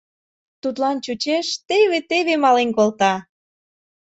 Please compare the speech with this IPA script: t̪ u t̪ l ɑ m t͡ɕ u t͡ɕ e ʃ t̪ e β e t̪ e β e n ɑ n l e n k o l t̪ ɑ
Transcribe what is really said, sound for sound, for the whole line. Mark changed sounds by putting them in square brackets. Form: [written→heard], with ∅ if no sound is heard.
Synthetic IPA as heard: t̪ u t̪ l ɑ [m→n] t͡ɕ u t͡ɕ e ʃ t̪ e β e t̪ e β e [n→m] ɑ [n→∅] l e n k o l t̪ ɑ